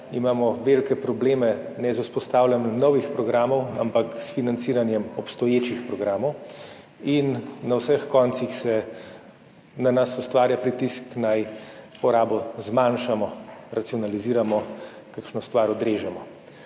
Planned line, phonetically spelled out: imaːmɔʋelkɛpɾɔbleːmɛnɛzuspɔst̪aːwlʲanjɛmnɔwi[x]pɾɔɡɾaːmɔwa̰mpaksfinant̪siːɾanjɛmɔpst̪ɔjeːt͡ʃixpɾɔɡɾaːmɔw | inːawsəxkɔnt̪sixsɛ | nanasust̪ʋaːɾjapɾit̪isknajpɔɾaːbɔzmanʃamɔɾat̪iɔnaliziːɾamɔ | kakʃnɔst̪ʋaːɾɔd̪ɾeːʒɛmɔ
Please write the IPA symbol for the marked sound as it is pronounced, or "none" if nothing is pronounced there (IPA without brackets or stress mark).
x